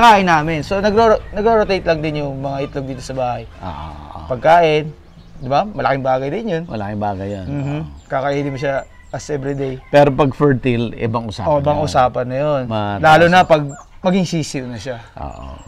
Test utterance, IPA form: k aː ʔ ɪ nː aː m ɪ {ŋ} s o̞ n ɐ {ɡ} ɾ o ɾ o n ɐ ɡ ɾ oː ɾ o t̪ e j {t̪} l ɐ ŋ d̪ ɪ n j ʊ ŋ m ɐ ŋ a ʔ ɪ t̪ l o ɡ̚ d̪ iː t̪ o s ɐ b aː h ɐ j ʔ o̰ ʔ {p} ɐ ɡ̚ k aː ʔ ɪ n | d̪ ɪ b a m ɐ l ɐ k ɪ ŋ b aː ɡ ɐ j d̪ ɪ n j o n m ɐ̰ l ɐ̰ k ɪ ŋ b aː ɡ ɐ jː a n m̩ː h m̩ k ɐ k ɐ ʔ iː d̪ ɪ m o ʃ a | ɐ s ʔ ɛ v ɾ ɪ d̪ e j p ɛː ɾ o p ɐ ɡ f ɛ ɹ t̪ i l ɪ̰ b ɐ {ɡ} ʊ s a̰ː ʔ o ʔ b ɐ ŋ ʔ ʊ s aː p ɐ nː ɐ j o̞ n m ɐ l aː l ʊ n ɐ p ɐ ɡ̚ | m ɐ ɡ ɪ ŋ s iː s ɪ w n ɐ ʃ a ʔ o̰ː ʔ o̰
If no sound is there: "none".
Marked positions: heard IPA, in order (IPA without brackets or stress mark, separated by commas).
n, ɡ, t̪, p, ŋ